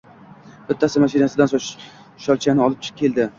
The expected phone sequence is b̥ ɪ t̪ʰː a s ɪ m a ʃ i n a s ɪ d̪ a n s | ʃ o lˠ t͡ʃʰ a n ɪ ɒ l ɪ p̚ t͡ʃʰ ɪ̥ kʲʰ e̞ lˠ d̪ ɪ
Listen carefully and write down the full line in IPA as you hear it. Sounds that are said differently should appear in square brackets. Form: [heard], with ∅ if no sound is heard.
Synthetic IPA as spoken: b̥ ɪ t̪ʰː a s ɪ m a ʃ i n a s ɪ d̪ a n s | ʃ [ɒ] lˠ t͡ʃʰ a n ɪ ɒ l ɪ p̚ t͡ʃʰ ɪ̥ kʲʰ e̞ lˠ d̪ ɪ